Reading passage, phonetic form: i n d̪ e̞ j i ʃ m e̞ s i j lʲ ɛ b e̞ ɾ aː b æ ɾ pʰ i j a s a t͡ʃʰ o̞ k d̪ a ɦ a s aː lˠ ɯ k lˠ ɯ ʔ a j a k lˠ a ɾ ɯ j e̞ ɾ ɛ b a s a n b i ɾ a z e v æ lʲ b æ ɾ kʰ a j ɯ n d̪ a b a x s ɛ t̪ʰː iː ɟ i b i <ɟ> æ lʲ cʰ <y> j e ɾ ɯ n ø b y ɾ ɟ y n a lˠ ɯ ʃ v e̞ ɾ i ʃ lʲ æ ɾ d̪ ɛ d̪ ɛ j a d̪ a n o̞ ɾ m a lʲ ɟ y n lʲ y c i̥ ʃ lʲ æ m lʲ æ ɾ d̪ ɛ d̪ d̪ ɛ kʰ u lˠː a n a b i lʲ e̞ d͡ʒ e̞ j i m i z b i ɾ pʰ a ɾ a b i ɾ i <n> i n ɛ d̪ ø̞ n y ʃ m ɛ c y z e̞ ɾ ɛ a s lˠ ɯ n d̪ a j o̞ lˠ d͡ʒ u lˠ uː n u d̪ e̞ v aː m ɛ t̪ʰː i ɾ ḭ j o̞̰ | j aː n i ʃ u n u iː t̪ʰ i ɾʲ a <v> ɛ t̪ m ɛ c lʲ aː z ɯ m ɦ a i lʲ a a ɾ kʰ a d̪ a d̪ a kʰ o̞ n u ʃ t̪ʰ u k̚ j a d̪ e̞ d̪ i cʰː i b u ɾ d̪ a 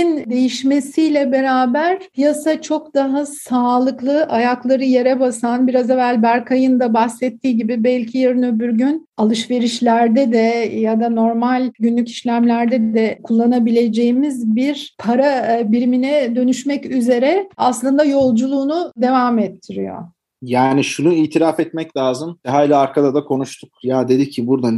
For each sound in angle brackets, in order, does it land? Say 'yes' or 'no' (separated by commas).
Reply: no, no, no, no